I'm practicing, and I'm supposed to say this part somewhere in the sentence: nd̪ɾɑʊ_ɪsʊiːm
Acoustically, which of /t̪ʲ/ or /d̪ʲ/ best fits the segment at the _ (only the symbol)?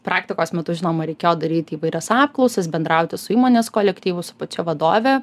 t̪ʲ